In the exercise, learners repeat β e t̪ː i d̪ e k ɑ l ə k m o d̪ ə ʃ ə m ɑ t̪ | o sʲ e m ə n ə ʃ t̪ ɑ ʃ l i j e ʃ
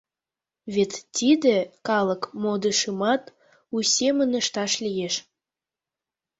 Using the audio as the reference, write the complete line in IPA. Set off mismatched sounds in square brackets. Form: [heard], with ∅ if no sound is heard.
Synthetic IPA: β e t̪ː i d̪ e k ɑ l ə k m o d̪ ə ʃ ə m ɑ t̪ | [u] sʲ e m ə n ə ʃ t̪ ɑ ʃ l i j e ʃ